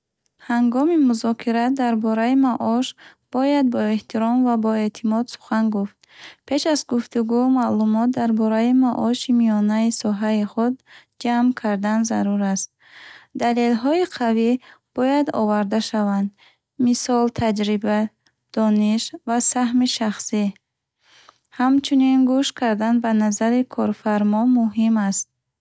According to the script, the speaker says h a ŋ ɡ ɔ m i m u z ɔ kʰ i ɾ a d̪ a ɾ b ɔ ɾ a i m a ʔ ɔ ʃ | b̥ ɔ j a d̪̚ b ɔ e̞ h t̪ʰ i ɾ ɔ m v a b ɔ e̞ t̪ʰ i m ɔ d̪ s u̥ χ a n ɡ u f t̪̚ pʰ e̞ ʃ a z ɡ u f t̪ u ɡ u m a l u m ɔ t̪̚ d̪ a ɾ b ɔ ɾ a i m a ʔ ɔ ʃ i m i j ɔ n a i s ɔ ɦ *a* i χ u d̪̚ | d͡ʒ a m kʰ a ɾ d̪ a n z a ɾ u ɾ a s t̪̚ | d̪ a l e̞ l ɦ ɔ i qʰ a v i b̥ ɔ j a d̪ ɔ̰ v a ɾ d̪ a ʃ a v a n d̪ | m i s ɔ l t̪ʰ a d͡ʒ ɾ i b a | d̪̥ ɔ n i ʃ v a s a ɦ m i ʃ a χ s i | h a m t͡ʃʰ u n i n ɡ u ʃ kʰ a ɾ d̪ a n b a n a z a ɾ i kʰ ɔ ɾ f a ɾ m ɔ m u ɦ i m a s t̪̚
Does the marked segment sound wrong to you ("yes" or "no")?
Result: no